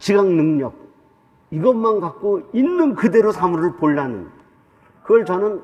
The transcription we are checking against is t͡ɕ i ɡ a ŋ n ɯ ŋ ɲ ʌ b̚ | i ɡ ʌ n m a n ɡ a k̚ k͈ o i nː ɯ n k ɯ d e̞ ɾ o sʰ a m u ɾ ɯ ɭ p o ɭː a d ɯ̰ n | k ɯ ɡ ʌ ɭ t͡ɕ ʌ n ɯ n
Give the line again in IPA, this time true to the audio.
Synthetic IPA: t͡ɕ i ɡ a ŋ n ɯ ŋ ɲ ʌ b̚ | i ɡ ʌ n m a n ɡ a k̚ k͈ o i nː ɯ n k ɯ d e̞ ɾ o sʰ a m u ɾ ɯ ɭ p o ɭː a n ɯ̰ n | k ɯ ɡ ʌ ɭ t͡ɕ ʌ n ɯ n

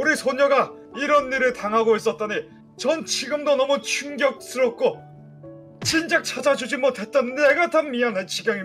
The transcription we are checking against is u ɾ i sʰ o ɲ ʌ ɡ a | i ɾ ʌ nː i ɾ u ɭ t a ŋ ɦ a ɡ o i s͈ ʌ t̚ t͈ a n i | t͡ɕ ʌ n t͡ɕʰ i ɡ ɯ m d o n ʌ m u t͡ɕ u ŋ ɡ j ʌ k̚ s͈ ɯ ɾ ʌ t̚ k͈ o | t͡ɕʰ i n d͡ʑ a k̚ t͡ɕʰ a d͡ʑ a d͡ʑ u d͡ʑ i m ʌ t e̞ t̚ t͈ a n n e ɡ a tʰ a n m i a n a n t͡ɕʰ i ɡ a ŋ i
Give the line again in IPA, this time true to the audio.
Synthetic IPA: u ɾ i sʰ o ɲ ʌ ɡ a | i ɾ ʌ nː i ɾ ɯ ɭ t a ŋ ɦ a ɡ o i s͈ ʌ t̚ t͈ a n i | t͡ɕ ʌ n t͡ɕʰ i ɡ ɯ m d o n ʌ m u t͡ɕʰ u ŋ ɡ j ʌ k̚ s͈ ɯ ɾ ʌ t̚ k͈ o | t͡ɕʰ i n d͡ʑ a k̚ t͡ɕʰ a d͡ʑ a d͡ʑ u d͡ʑ i m ʌ t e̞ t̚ t͈ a n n e ɡ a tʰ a n m i a n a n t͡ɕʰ i ɡ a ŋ i

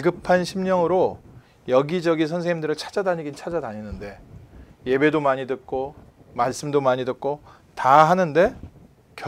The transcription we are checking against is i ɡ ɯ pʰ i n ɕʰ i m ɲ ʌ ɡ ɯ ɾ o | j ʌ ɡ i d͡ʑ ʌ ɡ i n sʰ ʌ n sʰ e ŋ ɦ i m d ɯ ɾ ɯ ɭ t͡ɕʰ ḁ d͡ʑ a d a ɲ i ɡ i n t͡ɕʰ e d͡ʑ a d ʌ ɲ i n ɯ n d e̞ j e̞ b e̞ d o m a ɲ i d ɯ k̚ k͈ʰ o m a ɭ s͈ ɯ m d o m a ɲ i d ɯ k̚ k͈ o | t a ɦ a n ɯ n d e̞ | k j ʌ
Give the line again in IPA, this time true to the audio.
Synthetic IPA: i ɡ ɯ pʰ a n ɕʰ i m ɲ ʌ ŋ ɯ ɾ o | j ʌ ɡ i d͡ʑ ʌ ɡ i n sʰ ʌ n sʰ e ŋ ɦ i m d ɯ ɾ ɯ ɭ t͡ɕʰ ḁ d͡ʑ a d a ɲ i ɡ i n t͡ɕʰ a d͡ʑ a d a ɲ i n ɯ n d e̞ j e̞ b e̞ d o m a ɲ i d ɯ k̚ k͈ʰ o m a ɭ s͈ ɯ m d o m a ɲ i d ɯ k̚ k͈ o | t a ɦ a n ɯ n d e̞ | k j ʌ

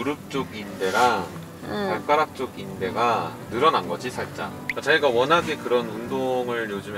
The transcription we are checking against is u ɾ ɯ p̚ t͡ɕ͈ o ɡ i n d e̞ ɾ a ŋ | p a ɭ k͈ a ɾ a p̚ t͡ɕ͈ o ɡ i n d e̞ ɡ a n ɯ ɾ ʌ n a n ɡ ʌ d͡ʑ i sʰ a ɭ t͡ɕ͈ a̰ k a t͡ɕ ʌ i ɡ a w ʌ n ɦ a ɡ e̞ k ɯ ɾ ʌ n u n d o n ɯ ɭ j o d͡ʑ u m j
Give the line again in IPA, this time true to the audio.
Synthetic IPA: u ɾ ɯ p̚ t͡ɕ͈ o ɡ i n d e̞ ɾ a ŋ | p a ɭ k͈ a ɾ a k̚ t͡ɕ͈ o ɡ i n d e̞ ɡ a n ɯ ɾ ʌ n a n ɡ ʌ d͡ʑ i sʰ a ɭ t͡ɕ͈ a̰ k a t͡ɕ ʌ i ɡ a w ʌ n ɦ a ɡ e̞ k ɯ ɾ ʌ n u n d o ŋ ɯ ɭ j o d͡ʑ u m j

